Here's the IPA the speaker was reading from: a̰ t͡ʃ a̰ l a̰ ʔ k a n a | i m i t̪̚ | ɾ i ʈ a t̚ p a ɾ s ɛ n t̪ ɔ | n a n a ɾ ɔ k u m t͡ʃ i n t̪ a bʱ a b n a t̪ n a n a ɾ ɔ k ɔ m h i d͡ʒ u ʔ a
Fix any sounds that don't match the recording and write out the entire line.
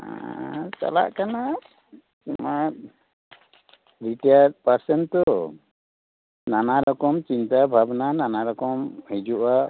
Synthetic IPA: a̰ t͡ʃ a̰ l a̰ ʔ k a n a | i m a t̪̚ | ɾ i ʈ a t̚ p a ɾ s ɛ n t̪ ɔ | n a n a ɾ ɔ k ɔ m t͡ʃ i n t̪ a bʱ a b n a n a n a ɾ ɔ k ɔ m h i d͡ʒ u ʔ a